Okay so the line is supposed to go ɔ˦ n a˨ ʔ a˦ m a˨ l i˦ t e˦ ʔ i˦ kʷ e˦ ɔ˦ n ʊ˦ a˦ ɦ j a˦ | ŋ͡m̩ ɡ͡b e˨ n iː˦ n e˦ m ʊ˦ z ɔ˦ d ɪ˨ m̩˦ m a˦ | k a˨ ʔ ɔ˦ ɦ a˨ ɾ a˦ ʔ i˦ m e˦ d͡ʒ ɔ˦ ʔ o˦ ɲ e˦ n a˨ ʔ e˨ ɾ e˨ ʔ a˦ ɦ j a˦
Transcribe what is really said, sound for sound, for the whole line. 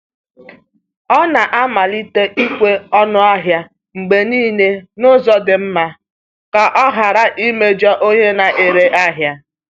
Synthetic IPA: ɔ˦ n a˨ ʔ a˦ m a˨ l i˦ t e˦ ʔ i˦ kʷ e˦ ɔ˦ n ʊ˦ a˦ ɦ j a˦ | ŋ͡m̩ ɡ͡b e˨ n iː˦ n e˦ n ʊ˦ z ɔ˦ d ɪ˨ m̩˦ m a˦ | k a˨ ʔ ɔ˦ ɦ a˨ ɾ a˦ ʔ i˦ m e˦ d͡ʒ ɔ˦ ʔ o˦ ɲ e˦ n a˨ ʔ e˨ ɾ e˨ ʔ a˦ ɦ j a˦